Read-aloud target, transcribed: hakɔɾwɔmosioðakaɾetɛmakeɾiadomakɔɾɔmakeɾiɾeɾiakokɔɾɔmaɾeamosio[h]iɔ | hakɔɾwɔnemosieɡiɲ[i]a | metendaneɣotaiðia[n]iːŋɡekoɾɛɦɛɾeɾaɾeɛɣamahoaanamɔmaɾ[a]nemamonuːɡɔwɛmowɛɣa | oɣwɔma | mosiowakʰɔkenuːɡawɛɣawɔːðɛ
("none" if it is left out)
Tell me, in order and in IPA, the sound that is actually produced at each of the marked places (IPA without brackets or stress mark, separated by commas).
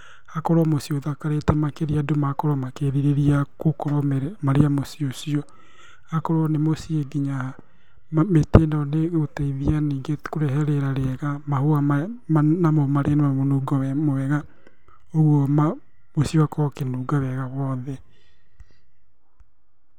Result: s, a, n, e